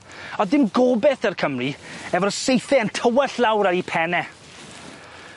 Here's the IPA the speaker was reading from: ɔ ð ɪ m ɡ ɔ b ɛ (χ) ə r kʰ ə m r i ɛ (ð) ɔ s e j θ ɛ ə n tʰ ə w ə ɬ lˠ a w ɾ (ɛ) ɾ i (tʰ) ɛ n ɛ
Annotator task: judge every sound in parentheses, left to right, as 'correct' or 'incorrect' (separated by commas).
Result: incorrect, incorrect, incorrect, incorrect